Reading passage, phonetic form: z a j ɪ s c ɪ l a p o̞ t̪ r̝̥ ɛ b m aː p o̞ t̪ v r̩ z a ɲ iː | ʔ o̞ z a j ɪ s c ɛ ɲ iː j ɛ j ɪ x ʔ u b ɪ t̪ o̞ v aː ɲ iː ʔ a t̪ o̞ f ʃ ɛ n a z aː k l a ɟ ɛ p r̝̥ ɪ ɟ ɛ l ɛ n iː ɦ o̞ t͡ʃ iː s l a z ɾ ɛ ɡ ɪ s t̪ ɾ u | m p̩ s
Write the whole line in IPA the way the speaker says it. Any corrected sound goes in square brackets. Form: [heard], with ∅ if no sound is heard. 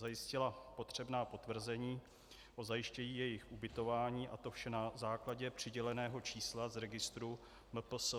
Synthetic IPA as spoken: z a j ɪ s c ɪ l a p o̞ t̪ r̝̥ ɛ b [n] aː p o̞ t̪ v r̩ z [ɛ] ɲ iː | ʔ o̞ z a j ɪ [ʃ] c ɛ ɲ iː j ɛ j ɪ x ʔ u b ɪ t̪ o̞ v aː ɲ iː ʔ a t̪ o̞ f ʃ ɛ n a z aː k l a ɟ ɛ p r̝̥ ɪ ɟ ɛ l ɛ n [ɛː] ɦ o̞ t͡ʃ iː s l a z ɾ ɛ ɡ ɪ s t̪ ɾ u | m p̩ s